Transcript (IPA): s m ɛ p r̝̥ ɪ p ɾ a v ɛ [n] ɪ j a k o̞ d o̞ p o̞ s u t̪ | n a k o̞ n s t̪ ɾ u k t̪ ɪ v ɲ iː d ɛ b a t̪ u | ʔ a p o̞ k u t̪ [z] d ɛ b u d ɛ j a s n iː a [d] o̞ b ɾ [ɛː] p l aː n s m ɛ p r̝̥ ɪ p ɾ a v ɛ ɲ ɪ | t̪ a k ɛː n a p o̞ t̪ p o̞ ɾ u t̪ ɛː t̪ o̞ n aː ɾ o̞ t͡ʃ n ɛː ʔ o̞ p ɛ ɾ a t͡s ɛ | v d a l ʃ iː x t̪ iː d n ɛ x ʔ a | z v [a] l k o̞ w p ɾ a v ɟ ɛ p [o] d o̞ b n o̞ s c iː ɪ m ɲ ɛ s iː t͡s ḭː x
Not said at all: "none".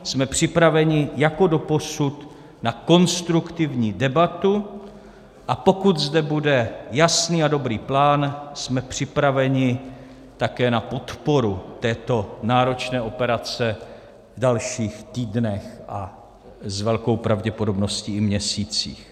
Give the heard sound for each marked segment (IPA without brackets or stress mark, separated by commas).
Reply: ɲ, z, d, iː, ɛ, o